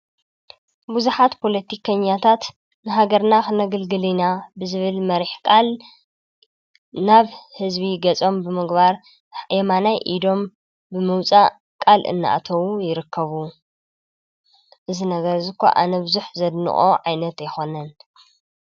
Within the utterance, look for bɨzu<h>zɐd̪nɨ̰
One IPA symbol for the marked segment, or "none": ħ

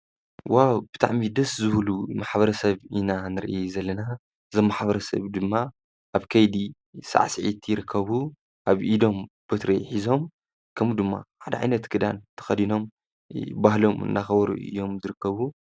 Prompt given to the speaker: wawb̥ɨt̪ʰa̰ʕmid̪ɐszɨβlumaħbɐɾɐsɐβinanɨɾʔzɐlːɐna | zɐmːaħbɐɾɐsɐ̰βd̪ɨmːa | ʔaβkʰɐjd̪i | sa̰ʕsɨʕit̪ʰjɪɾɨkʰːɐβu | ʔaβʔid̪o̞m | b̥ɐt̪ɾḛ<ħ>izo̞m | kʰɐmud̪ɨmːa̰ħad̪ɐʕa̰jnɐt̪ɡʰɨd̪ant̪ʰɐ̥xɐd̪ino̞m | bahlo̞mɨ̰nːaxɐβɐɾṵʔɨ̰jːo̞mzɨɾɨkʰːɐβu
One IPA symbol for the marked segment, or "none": ħ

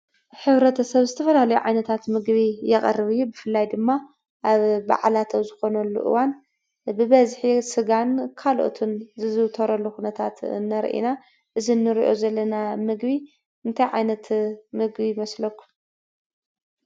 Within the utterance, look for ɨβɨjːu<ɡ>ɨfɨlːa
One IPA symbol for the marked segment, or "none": b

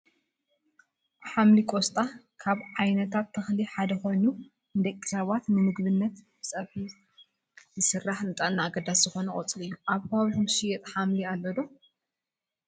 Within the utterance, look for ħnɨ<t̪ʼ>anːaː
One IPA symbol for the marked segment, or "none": t̪ʼ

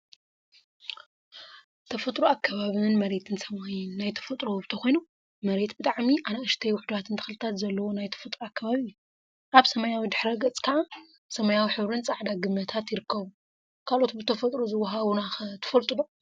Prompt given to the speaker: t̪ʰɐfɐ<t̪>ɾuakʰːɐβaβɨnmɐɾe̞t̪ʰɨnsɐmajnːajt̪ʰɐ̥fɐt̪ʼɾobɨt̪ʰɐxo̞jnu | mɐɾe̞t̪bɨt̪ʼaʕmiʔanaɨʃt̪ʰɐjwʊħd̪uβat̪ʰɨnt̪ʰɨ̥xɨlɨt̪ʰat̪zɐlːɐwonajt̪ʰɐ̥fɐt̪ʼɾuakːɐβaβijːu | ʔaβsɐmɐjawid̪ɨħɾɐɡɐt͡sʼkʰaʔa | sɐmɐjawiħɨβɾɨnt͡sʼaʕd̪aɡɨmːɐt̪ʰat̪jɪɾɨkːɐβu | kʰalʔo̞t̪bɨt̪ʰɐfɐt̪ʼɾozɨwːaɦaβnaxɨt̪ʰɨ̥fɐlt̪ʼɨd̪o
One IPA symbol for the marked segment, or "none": t̪ʼ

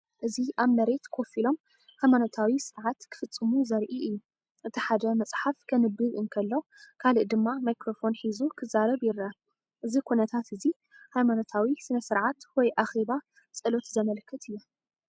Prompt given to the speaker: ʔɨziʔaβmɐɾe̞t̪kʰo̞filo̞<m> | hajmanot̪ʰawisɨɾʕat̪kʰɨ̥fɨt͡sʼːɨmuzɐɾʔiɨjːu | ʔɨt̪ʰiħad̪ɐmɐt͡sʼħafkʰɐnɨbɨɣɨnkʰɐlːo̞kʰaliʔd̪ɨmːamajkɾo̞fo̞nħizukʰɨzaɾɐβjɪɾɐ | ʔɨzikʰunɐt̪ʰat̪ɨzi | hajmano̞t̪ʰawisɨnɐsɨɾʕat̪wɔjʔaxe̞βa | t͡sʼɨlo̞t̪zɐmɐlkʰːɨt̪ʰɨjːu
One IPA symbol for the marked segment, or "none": m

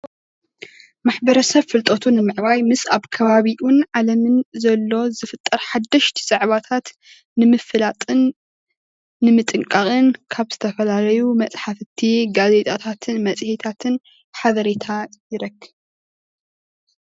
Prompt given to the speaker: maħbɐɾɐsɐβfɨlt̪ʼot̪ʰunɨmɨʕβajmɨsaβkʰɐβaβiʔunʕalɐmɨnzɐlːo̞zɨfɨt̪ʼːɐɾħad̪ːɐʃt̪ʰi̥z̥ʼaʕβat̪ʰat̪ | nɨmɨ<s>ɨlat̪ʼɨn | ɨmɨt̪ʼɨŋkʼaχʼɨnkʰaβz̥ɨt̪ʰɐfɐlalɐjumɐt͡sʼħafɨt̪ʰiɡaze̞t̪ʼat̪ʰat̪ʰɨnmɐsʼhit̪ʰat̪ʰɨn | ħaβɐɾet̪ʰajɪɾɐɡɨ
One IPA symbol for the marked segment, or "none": f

